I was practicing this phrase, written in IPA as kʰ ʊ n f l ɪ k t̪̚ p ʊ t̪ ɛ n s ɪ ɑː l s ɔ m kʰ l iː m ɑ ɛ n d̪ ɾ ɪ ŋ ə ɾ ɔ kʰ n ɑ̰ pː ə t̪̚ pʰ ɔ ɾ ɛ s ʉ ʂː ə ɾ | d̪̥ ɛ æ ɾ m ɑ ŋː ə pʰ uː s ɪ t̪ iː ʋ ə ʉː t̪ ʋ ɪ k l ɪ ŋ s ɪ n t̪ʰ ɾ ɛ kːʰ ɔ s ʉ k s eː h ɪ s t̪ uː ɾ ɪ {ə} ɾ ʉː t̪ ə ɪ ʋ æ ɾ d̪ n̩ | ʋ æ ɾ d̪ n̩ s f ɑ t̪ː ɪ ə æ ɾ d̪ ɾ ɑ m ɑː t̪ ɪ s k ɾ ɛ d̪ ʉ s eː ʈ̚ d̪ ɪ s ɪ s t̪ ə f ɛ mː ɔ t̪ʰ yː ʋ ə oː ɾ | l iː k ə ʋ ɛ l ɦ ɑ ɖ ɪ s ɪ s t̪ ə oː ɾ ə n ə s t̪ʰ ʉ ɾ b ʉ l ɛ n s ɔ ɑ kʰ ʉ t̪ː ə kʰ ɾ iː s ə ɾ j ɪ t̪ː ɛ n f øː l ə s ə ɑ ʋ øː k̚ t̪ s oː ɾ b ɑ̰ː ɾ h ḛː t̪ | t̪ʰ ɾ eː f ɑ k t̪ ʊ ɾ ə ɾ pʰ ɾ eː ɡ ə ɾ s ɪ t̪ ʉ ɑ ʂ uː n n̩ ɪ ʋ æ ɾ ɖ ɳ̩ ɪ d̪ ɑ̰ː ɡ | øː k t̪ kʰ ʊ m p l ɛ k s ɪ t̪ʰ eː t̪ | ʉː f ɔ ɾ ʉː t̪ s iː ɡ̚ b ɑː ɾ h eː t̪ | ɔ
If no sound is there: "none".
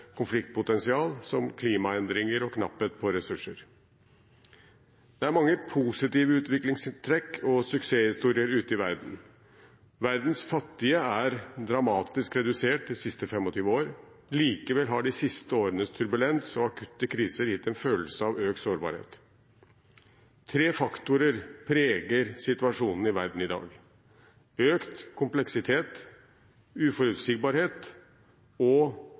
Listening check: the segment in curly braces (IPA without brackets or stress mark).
ə